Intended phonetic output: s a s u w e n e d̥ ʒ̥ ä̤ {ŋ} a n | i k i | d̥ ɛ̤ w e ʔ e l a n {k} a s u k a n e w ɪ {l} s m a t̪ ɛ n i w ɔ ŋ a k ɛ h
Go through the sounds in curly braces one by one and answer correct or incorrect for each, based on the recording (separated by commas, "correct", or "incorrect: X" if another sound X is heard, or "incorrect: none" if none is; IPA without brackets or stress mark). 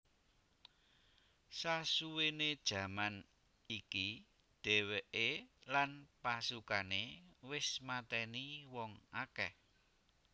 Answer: incorrect: m, incorrect: p, incorrect: none